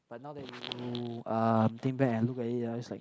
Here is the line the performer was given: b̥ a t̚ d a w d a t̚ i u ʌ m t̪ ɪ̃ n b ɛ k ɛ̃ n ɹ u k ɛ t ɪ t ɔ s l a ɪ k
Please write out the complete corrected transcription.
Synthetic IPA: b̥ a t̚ n a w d ɛ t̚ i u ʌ m t̪ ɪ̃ ŋ b ɛ k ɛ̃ n l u k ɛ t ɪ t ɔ s l a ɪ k